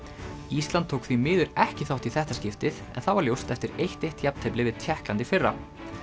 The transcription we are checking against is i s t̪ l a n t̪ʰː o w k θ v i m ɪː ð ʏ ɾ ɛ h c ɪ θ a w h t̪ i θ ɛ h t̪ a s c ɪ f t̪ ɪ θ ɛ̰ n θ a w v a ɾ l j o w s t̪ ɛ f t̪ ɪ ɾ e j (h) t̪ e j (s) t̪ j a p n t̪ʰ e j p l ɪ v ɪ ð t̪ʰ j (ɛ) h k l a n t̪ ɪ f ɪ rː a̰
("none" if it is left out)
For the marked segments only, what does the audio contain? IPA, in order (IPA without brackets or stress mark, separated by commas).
h, h, ɛ